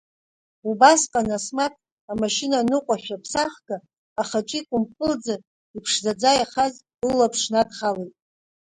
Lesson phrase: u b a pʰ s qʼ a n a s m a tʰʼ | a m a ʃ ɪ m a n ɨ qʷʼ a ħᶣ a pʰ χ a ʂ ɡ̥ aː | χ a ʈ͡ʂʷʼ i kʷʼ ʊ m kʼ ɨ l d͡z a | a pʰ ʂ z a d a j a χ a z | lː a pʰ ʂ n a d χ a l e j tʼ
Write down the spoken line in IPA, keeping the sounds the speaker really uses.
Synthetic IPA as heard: u b a s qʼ a n a s m a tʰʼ | a m a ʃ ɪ n a n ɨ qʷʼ a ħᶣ a pʰ s a χ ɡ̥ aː | χ a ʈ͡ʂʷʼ i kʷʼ ʊ m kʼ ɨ l d͡z a | i pʰ ʂ z a d͡z a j a χ a z | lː a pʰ ʂ n a d χ a l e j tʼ